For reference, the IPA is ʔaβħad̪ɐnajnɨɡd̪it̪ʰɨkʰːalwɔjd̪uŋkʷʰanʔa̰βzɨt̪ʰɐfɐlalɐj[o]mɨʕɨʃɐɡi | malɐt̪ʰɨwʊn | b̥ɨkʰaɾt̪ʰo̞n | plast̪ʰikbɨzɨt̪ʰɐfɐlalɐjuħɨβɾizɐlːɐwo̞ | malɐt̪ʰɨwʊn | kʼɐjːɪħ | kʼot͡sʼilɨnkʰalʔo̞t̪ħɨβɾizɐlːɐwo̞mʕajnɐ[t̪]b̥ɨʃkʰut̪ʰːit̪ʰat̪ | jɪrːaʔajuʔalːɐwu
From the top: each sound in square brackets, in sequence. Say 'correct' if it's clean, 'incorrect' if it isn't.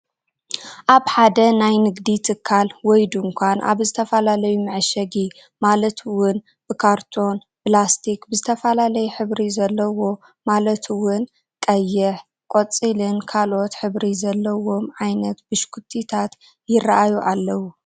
incorrect, correct

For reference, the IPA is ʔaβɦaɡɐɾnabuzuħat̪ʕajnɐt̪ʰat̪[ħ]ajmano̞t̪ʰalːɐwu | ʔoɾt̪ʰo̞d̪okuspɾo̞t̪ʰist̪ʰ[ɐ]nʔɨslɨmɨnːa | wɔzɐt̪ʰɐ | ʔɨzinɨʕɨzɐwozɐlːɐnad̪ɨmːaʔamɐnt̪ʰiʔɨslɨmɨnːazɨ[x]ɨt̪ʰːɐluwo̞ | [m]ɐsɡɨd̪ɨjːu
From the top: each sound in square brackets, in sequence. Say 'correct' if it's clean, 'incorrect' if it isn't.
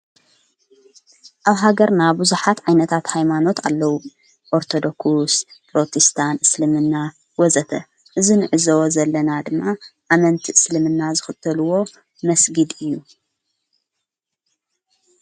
incorrect, incorrect, correct, correct

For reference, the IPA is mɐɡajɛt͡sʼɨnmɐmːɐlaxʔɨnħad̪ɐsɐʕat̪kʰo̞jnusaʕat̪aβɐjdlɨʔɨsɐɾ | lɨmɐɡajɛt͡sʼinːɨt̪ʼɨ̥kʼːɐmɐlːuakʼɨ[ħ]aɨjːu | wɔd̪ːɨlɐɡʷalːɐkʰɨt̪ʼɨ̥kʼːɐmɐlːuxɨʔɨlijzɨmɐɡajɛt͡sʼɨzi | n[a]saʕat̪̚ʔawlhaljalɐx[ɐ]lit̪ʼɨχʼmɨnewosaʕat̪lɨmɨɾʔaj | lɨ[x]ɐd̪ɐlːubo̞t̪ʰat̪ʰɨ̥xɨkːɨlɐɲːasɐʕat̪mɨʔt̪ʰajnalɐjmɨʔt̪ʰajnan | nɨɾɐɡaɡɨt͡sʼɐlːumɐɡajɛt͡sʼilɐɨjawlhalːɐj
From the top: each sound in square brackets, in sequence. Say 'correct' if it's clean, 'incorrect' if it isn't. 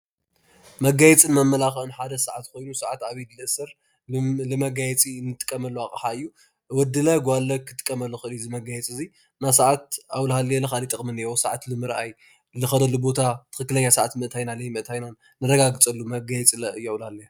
correct, correct, incorrect, correct

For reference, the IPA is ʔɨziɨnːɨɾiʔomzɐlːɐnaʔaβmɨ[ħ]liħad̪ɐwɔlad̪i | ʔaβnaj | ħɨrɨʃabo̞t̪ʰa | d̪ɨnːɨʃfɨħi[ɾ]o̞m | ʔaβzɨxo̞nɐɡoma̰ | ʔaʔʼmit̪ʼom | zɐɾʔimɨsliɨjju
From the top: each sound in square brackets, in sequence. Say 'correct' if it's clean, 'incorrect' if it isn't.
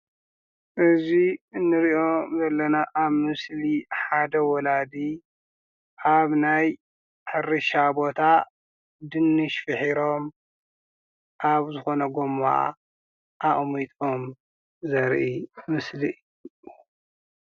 incorrect, correct

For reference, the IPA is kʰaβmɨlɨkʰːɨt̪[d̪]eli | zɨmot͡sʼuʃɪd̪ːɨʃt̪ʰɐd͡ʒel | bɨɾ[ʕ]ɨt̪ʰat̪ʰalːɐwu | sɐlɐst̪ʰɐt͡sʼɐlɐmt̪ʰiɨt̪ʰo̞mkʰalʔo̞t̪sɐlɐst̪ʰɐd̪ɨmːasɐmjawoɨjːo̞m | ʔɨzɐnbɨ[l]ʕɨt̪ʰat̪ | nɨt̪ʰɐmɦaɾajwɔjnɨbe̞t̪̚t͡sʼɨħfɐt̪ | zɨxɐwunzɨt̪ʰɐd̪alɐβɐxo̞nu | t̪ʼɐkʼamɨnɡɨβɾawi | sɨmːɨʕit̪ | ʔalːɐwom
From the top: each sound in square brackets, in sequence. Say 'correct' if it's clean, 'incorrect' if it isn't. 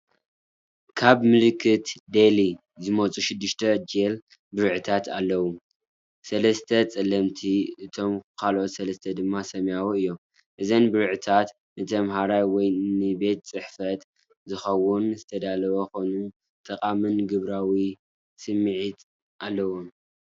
correct, correct, incorrect

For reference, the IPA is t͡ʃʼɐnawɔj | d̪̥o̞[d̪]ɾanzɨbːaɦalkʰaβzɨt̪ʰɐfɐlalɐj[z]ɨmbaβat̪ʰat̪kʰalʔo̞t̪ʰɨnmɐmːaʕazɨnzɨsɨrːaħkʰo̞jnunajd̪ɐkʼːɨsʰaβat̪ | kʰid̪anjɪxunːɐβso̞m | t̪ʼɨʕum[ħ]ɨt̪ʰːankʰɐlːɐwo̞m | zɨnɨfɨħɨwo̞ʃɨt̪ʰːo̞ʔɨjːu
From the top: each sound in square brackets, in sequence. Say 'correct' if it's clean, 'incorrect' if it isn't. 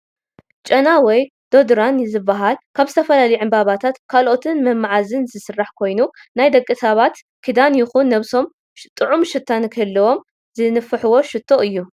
correct, incorrect, incorrect

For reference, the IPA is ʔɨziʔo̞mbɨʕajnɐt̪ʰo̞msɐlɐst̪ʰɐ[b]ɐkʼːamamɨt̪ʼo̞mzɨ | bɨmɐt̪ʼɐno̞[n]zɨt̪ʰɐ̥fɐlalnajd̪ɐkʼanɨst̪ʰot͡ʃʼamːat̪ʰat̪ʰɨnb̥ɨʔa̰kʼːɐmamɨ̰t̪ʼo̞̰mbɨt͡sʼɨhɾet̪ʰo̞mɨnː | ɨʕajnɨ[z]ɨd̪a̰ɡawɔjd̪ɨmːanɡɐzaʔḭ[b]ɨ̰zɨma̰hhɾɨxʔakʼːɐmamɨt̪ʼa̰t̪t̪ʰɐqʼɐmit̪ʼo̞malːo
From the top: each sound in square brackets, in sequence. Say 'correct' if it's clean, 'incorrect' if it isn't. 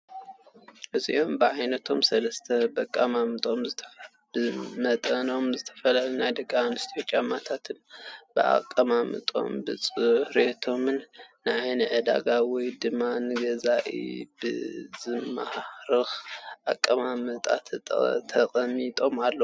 correct, incorrect, incorrect, correct

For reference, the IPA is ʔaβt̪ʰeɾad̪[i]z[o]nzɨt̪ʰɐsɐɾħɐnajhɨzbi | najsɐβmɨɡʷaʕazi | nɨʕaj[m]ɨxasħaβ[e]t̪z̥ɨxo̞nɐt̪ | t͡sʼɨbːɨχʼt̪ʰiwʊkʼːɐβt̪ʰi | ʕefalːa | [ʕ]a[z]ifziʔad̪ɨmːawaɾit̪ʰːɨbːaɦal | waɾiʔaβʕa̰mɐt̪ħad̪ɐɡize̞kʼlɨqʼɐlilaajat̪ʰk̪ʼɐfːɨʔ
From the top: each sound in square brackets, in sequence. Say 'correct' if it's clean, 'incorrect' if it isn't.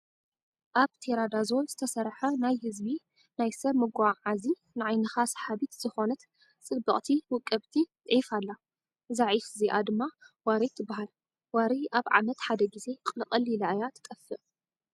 incorrect, correct, incorrect, incorrect, incorrect, incorrect

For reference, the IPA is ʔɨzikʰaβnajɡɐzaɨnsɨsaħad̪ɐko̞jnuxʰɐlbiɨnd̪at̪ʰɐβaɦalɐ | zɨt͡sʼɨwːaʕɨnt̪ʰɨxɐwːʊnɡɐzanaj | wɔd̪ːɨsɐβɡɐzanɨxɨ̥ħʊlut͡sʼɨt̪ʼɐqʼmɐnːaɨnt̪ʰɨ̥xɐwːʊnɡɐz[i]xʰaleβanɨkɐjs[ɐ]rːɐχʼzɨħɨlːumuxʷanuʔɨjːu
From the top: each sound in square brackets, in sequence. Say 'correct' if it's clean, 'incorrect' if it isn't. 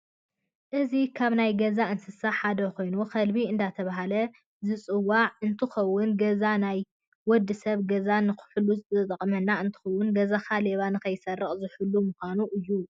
incorrect, correct

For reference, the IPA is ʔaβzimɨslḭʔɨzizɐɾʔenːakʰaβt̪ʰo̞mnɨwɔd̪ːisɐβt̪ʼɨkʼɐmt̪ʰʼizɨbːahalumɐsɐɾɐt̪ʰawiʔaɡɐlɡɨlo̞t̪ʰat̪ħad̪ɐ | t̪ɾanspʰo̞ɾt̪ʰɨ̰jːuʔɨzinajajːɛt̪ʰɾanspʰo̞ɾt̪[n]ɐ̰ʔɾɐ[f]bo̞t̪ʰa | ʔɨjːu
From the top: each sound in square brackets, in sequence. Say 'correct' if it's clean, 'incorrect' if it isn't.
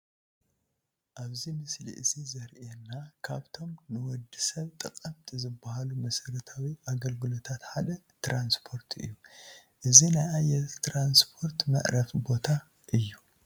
incorrect, correct

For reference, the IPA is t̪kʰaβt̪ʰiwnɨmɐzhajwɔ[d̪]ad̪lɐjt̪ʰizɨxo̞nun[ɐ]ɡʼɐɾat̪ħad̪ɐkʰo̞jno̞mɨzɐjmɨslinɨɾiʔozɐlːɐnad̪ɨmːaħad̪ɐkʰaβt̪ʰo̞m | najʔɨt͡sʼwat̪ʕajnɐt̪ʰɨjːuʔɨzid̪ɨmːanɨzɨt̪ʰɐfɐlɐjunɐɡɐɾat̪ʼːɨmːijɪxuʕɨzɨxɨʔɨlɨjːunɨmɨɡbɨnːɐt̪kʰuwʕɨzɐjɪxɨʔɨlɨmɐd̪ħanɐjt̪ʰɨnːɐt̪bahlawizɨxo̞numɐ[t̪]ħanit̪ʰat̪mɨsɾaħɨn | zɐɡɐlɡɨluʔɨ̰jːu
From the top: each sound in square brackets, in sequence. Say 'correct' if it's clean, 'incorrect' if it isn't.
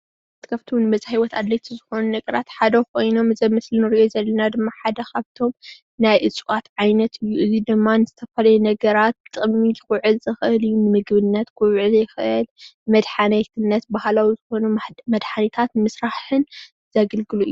incorrect, correct, incorrect

